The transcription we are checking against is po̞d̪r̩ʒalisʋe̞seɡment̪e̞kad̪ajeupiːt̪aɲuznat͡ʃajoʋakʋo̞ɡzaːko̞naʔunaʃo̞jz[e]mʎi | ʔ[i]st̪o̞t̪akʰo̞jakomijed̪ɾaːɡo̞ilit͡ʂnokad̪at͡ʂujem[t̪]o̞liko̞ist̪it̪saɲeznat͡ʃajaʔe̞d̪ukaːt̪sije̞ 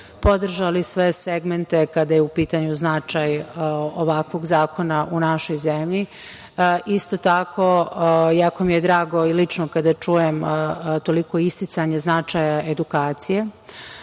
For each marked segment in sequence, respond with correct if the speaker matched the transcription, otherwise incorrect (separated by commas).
correct, correct, correct